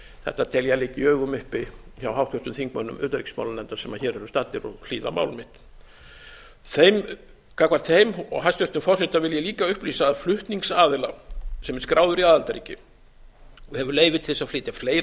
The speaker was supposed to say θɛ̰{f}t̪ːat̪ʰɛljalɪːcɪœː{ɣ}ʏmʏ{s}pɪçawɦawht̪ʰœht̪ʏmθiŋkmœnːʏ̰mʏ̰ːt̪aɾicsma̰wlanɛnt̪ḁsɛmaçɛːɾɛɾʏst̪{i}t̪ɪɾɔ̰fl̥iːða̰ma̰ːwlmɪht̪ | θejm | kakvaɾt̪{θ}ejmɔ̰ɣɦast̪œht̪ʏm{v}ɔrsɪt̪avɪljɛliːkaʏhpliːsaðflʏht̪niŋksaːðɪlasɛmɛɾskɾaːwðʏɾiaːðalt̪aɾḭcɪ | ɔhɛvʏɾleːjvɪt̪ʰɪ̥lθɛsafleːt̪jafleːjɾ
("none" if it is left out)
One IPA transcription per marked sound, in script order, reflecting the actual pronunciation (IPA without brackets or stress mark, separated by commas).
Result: h, ɣ, h, a, θ, f